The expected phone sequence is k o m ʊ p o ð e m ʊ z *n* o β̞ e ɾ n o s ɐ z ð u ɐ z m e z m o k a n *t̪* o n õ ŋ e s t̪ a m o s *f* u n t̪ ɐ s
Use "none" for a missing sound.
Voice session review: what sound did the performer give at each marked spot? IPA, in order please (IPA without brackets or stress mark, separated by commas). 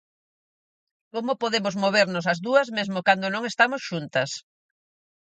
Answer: m, d̪, ʃ